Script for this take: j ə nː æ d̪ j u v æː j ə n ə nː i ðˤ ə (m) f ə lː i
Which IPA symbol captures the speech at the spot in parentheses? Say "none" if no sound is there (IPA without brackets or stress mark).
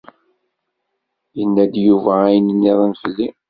n